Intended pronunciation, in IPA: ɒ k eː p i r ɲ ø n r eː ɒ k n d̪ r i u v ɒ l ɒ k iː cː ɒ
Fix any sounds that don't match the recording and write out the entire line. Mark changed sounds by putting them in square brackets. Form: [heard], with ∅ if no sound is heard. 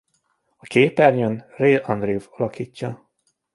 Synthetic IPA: ɒ k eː p [ɛ] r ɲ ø n r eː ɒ [∅] n d̪ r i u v ɒ l ɒ k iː cː ɒ